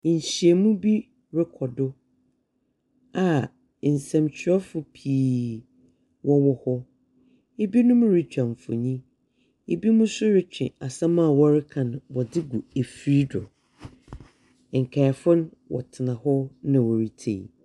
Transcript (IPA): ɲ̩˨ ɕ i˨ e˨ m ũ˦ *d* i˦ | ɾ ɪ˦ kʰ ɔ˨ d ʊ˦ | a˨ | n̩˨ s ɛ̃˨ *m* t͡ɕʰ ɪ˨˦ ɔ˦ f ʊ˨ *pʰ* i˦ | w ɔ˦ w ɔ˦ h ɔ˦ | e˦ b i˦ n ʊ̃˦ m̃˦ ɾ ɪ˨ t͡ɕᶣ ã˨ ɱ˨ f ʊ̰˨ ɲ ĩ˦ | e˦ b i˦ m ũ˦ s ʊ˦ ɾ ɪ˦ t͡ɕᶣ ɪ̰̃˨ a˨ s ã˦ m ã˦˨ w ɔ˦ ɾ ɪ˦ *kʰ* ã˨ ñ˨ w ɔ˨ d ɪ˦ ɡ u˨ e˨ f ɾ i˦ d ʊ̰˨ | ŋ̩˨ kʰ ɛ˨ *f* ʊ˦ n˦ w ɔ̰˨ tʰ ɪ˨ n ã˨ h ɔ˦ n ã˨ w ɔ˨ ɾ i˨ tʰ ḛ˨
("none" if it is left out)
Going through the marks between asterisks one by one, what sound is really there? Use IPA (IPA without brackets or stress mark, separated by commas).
b, m, pʰ, kʰ, f